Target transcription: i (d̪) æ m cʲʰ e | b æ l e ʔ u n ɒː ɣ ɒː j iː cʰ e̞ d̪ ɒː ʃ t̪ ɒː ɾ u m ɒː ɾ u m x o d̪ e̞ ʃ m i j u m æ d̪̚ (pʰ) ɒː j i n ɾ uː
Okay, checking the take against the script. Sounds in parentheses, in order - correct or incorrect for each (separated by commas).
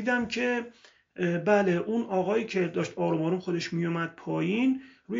correct, correct